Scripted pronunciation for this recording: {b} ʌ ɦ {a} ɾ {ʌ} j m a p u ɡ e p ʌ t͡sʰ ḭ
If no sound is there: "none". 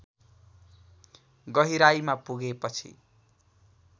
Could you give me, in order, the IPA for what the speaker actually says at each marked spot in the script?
ɡ, i, a

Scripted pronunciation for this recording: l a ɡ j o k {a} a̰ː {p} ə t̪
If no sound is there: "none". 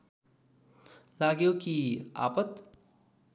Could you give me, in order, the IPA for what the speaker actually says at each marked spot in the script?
i, p

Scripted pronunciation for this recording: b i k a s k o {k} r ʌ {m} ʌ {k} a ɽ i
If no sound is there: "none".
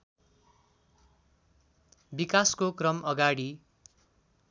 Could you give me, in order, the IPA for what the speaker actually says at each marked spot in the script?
k, m, ɡ

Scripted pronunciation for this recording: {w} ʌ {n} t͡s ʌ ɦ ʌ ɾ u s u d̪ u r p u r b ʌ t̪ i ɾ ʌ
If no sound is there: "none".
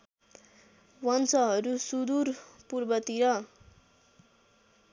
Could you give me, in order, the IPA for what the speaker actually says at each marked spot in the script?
w, n

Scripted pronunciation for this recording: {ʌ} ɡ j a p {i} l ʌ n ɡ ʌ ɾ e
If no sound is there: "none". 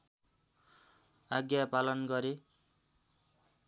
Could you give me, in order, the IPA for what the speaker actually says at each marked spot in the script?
a, a

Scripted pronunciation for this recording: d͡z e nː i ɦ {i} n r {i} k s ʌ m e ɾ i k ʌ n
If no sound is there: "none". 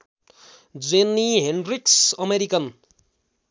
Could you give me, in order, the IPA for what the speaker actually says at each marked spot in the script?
e, i

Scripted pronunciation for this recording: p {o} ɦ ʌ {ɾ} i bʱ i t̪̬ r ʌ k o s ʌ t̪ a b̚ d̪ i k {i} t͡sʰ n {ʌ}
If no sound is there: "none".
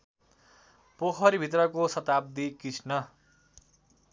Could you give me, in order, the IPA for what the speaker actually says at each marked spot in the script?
o, ɾ, i, ʌ

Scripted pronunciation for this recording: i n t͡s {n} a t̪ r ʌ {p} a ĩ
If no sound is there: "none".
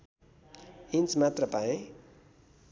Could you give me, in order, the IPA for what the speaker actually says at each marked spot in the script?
m, p

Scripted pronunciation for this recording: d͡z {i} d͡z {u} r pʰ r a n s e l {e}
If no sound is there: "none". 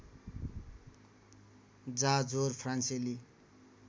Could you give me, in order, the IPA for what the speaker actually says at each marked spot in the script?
a, o, i

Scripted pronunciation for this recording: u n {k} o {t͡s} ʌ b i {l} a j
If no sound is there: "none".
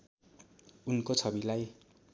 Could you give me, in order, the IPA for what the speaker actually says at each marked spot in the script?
k, t͡sʰ, l

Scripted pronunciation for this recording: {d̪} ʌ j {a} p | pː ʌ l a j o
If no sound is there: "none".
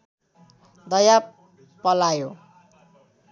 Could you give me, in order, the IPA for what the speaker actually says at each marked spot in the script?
d̪, a

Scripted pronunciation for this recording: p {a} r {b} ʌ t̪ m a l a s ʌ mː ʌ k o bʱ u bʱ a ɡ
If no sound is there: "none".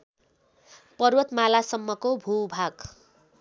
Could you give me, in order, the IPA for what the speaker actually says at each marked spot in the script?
ʌ, w

